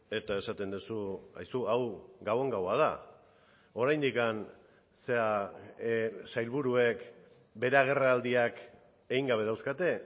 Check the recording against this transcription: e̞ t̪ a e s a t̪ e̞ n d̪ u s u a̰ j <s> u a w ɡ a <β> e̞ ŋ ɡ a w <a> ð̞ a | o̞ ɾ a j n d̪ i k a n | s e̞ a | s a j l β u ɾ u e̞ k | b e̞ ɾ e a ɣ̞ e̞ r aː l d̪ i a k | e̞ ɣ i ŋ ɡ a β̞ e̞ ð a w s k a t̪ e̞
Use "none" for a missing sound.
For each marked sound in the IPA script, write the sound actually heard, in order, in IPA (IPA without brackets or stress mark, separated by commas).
s, w, a